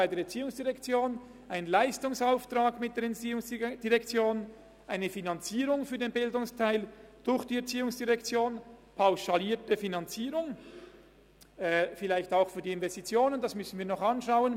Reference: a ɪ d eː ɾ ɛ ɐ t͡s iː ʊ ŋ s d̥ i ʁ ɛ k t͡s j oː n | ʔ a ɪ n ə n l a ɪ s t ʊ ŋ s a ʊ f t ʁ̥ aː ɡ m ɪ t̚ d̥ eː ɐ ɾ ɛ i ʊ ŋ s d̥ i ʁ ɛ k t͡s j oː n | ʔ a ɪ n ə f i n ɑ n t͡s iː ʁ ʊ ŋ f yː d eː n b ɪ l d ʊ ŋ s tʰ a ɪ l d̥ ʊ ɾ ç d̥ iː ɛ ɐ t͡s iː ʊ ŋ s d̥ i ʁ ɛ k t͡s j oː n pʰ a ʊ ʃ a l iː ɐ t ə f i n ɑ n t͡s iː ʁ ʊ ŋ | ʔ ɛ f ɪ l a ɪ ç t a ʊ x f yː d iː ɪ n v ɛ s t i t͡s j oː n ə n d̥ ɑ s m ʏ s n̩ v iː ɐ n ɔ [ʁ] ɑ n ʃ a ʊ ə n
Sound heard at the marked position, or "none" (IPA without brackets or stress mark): χ